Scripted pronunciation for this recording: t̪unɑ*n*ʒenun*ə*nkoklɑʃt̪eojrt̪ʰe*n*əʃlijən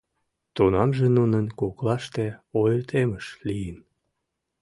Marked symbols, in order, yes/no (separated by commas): no, yes, no